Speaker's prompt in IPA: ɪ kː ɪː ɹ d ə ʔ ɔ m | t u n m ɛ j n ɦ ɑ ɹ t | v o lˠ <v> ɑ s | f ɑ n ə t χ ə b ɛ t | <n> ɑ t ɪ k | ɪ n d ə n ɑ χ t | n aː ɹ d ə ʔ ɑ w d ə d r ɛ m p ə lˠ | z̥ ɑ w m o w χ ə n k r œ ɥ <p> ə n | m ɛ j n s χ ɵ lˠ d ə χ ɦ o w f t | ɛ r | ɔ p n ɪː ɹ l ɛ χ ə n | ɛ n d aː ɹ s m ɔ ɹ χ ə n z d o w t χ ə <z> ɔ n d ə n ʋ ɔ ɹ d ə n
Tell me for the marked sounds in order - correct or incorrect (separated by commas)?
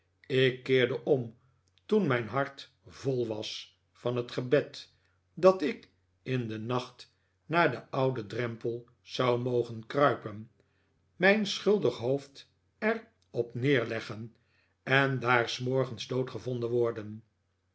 incorrect, incorrect, correct, incorrect